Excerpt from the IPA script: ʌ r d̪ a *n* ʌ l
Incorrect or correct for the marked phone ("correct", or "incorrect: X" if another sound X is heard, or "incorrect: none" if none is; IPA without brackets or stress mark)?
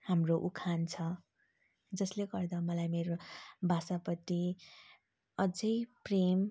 incorrect: m